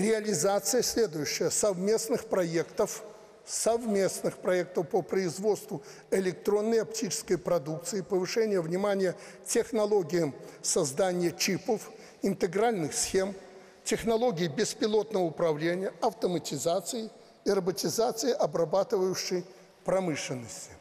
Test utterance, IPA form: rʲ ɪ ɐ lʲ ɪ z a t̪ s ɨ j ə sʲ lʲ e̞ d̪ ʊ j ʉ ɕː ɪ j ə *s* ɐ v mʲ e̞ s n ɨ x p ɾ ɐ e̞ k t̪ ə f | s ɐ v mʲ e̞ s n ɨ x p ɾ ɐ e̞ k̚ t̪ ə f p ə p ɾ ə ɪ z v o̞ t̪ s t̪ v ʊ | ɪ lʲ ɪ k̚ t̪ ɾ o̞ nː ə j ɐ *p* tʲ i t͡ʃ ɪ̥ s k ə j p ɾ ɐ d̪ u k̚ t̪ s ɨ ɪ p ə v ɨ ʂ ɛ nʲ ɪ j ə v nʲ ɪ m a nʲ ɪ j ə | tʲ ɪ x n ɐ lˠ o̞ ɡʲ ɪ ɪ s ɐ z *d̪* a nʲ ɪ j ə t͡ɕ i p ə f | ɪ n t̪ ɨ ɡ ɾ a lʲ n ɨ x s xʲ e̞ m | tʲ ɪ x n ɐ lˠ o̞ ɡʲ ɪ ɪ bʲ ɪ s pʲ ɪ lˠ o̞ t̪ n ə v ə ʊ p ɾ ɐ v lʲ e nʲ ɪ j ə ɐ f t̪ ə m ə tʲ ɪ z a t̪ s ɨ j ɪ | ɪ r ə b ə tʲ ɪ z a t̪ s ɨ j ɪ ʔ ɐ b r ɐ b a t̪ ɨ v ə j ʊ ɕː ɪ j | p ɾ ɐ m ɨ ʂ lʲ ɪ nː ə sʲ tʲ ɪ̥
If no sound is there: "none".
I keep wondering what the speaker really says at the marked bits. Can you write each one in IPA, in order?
s, p, d̪

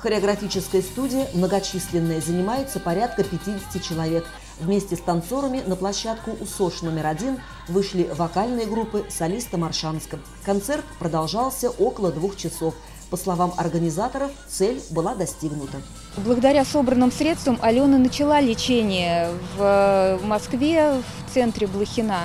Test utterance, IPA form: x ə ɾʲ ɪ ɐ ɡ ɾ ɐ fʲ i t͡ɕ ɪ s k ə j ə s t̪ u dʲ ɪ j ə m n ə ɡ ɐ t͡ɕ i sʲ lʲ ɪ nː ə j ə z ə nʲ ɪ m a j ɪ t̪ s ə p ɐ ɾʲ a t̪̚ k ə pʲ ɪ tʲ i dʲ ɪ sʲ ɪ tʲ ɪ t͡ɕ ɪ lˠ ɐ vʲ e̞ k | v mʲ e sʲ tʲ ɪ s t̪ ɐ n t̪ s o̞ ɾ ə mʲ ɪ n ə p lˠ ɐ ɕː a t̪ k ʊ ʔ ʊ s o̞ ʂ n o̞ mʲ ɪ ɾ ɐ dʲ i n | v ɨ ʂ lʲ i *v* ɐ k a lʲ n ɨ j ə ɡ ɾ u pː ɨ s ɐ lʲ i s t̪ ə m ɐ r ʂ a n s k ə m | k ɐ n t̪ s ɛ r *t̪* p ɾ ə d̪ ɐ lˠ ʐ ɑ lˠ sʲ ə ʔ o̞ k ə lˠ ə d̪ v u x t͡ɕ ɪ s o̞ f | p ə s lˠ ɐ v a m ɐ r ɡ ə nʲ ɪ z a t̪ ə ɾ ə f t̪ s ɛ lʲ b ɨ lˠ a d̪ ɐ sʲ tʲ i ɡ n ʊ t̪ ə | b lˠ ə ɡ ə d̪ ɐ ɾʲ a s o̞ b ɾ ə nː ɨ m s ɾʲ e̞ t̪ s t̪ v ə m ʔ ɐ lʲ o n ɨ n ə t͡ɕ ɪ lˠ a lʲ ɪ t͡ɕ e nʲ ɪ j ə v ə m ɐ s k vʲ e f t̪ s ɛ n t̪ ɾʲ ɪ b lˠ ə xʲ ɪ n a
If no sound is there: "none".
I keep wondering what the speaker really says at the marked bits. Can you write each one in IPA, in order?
v, t̪

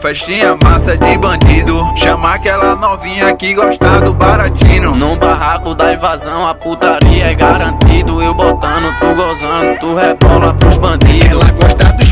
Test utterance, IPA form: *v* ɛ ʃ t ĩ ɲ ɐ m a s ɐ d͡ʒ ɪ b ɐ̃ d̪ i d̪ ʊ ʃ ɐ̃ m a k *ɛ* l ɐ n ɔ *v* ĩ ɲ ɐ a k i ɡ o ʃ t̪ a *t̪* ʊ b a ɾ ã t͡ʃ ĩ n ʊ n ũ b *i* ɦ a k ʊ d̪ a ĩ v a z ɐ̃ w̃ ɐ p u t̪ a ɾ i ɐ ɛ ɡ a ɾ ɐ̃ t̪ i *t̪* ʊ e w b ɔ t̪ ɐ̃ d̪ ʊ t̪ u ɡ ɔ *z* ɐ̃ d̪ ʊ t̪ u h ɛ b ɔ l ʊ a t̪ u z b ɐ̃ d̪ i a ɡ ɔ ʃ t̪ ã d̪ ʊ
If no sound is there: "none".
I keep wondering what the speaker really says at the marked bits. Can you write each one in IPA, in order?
f, ɛ, v, d̪, a, d̪, z

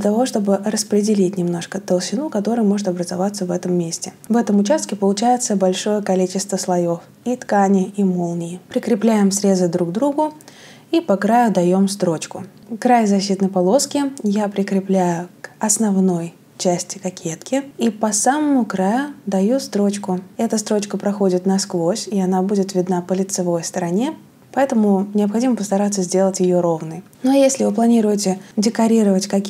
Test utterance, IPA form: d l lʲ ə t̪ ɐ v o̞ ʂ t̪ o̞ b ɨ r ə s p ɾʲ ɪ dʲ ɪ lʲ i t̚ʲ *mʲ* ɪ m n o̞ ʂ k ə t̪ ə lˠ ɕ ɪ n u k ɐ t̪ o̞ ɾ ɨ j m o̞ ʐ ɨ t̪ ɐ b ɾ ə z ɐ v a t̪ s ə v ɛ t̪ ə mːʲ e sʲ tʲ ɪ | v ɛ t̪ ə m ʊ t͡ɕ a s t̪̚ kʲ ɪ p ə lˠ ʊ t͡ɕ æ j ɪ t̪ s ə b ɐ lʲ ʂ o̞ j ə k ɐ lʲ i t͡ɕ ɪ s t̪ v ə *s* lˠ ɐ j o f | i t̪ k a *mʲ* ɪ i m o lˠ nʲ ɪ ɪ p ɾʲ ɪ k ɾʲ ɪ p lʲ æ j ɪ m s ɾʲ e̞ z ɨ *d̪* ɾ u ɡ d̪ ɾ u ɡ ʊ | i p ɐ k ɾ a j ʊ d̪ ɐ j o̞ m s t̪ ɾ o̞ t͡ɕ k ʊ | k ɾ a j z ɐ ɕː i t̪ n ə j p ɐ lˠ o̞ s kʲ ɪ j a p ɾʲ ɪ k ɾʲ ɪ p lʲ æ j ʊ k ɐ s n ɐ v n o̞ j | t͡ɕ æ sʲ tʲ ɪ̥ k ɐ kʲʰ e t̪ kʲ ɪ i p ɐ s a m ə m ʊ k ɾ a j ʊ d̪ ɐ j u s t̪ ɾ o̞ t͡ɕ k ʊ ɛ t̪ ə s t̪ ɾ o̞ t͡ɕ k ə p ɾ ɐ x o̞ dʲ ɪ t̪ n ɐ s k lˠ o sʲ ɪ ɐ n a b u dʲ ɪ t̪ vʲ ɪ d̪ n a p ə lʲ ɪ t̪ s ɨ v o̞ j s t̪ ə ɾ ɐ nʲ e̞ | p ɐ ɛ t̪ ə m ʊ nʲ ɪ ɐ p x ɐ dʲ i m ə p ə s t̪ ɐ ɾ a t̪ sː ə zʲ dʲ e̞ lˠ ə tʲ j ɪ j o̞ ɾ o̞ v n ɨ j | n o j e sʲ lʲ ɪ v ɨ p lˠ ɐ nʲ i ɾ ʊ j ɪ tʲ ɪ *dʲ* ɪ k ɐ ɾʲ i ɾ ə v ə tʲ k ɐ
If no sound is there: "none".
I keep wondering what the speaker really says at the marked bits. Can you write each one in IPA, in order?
nʲ, s, nʲ, d̪, dʲ

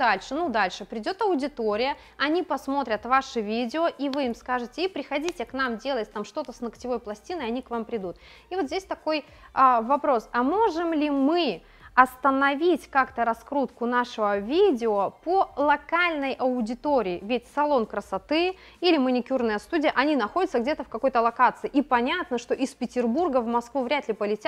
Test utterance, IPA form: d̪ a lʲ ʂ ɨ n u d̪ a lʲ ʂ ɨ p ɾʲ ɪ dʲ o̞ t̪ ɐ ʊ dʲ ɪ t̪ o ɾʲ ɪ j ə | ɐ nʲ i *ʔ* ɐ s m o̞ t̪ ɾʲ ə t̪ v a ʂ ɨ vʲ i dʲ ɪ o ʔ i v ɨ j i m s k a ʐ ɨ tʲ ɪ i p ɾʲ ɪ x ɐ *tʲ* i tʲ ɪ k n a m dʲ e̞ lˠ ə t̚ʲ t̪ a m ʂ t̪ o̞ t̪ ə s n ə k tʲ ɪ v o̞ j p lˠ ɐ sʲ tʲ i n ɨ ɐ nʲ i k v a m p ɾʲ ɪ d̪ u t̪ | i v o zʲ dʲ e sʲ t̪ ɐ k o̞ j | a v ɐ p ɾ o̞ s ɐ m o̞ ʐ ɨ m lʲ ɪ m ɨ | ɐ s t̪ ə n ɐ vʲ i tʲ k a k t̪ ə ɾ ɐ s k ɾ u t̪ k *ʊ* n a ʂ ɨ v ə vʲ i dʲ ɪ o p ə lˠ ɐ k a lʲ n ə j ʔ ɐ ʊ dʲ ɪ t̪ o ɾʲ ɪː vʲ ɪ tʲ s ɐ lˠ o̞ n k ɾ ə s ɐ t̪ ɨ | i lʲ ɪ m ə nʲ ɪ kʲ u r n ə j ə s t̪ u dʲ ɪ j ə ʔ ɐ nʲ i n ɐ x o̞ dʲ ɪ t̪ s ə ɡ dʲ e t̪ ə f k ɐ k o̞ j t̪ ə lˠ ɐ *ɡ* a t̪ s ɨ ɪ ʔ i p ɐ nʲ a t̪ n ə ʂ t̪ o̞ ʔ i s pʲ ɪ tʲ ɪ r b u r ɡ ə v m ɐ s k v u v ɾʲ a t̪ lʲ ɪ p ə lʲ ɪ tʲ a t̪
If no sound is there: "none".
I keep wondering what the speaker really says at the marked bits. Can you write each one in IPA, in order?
p, dʲ, ʊ, k

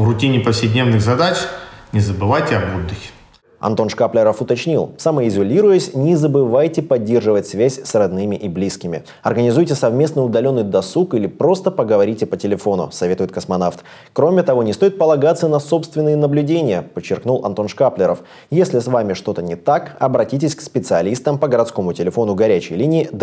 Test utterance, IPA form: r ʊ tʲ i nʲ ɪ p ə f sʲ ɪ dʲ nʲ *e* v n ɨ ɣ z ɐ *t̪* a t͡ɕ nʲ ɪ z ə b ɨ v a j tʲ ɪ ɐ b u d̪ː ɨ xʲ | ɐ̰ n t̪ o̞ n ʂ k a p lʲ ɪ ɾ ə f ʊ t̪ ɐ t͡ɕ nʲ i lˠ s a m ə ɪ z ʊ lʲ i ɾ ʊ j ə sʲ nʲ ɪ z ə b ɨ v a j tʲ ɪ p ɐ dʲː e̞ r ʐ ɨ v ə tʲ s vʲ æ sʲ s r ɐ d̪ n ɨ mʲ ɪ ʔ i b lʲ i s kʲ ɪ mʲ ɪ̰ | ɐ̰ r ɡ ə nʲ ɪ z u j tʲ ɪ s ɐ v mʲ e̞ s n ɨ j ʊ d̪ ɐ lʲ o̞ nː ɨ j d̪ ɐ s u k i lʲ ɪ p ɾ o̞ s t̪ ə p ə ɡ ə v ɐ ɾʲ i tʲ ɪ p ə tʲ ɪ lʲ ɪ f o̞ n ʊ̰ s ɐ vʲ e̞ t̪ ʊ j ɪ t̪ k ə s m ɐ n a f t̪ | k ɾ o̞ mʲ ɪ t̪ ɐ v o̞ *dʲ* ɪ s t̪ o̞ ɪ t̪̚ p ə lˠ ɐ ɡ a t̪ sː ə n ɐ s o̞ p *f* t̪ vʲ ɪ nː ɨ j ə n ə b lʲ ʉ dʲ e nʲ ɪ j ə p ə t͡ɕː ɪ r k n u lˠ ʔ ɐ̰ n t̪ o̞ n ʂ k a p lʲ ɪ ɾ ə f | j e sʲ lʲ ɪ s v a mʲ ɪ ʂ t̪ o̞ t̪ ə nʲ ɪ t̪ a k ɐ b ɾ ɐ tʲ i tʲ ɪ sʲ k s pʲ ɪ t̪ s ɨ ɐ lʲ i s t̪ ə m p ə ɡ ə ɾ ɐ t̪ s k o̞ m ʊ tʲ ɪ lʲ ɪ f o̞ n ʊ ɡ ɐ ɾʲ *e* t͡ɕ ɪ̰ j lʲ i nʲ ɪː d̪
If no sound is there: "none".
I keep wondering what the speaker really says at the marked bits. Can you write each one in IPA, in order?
e, d̪, nʲ, s, æ

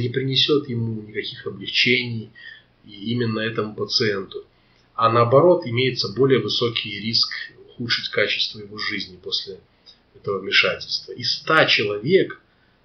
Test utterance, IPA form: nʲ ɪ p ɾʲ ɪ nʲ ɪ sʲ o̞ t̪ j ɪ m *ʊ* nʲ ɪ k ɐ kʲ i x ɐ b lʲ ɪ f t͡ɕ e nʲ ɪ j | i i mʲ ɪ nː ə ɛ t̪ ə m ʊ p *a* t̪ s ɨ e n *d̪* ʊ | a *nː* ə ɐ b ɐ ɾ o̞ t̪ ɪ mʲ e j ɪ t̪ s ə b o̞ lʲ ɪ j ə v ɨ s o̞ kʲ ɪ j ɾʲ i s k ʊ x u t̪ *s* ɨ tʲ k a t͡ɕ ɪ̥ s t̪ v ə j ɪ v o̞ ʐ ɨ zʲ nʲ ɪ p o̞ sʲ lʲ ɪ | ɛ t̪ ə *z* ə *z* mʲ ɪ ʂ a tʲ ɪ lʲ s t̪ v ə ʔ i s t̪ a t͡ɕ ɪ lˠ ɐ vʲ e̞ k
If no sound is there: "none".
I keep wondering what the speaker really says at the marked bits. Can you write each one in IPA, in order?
u, ə, t̪, n, ʂ, v, v

